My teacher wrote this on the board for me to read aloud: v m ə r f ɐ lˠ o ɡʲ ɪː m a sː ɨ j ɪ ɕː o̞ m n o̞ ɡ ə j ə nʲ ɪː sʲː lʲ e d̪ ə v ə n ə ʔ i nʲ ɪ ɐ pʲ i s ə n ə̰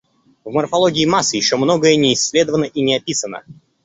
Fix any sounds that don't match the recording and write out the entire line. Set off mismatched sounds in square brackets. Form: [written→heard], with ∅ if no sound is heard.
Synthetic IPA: v m ə r f ɐ lˠ o ɡʲ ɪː m a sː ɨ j ɪ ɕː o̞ m n o̞ ɡ ə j ə nʲ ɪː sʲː lʲ e d̪ ə v ə n ə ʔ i nʲ ɪ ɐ pʲ i s ə n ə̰